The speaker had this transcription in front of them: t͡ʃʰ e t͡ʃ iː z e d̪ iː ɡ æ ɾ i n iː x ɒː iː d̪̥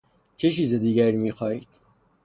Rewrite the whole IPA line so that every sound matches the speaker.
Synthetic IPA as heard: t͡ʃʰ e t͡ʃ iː z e d̪ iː ɡ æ ɾ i m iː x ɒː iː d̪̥